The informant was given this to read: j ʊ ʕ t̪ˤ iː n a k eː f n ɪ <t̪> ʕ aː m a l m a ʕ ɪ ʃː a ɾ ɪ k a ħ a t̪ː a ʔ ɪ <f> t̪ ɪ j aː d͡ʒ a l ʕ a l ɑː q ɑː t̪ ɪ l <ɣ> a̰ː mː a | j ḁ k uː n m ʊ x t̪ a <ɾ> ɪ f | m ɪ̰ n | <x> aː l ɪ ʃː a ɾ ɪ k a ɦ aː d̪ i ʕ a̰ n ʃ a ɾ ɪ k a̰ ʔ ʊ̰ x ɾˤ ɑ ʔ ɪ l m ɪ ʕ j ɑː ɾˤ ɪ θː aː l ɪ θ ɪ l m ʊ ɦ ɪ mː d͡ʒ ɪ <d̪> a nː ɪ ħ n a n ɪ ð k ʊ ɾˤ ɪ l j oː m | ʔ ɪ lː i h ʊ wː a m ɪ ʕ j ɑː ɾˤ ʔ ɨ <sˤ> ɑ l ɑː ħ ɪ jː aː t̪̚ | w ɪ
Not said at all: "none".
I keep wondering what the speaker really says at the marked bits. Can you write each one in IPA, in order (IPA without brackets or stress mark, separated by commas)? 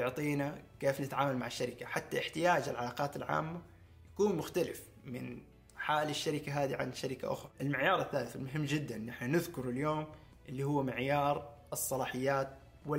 t̪, ħ, ʕ, l, ħ, d̪ː, sˤː